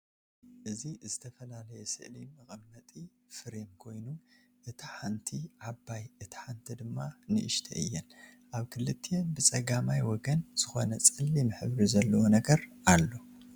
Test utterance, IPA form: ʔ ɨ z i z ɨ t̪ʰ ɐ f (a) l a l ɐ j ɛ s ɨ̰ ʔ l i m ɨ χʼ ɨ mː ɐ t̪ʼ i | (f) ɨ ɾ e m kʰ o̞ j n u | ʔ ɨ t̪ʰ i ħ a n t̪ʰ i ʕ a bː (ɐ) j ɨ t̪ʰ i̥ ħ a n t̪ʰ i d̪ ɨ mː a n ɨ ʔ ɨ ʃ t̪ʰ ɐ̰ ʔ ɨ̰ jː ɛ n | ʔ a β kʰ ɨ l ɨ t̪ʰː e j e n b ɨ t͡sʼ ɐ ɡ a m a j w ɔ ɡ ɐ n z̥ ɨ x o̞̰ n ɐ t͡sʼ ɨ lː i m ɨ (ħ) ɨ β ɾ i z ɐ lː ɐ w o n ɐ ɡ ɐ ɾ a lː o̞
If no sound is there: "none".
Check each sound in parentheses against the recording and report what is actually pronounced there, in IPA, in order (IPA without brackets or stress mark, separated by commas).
ɐ, f, a, ħ